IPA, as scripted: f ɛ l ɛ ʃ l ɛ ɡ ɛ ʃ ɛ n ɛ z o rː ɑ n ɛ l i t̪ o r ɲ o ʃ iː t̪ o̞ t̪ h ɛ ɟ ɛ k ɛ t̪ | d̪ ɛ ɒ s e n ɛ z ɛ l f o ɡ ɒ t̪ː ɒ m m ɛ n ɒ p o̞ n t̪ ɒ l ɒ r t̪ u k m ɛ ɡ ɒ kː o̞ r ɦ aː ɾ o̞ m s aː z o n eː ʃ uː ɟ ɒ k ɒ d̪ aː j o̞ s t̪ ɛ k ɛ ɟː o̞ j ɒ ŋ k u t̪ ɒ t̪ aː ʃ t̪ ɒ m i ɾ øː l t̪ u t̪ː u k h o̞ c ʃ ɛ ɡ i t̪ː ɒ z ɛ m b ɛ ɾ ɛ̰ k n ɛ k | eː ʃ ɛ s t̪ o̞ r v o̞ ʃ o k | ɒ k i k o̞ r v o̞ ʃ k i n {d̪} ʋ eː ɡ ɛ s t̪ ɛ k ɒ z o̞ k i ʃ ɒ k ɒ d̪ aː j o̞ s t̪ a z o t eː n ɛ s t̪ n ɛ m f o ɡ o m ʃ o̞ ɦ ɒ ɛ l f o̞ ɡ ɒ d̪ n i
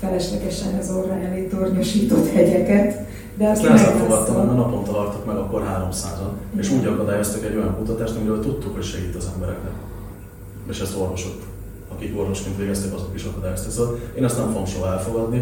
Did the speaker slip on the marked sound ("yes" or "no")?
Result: yes